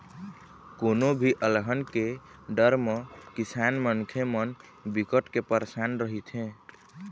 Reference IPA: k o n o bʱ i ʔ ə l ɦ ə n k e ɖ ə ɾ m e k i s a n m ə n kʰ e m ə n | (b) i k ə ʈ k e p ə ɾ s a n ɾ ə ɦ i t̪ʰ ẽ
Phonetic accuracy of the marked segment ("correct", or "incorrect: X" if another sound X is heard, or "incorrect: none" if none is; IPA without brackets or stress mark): correct